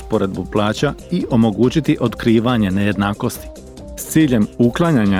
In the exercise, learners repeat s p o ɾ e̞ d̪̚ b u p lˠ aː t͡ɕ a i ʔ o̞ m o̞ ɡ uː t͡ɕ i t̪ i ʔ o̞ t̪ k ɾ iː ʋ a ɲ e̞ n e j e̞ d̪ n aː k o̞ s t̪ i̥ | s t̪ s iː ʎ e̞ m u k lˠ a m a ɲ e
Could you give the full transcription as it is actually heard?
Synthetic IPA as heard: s p o ɾ e̞ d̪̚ b u p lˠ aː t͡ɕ a i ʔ o̞ m o̞ ɡ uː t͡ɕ i t̪ i ʔ o̞ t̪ k ɾ iː ʋ a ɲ e̞ n e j e̞ d̪ n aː k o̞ s t̪ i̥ | s t̪ s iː ʎ e̞ m u k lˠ a ɲ a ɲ a